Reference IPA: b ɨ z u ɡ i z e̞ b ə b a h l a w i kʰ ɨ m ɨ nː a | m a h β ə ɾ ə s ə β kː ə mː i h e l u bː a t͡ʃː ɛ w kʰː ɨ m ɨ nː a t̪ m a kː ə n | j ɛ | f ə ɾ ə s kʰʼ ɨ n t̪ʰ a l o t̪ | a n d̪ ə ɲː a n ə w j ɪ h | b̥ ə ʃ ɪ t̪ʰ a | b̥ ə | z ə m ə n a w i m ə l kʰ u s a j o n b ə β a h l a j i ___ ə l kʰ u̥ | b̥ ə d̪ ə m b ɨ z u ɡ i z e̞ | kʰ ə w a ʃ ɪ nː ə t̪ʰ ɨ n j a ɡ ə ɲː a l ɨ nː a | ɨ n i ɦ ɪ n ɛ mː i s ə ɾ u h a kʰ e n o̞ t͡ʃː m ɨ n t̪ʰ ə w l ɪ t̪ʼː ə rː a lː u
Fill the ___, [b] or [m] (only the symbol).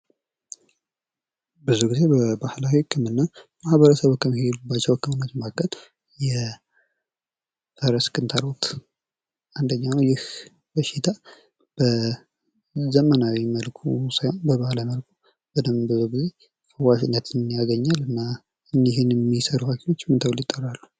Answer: m